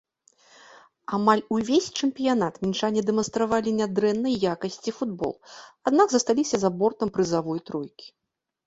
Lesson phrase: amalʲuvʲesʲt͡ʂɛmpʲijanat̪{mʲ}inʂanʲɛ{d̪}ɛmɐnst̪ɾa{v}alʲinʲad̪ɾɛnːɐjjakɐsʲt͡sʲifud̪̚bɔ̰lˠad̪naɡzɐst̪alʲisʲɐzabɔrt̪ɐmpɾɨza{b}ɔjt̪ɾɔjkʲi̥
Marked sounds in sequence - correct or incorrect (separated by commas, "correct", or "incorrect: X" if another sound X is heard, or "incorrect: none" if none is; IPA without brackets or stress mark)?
correct, correct, correct, incorrect: v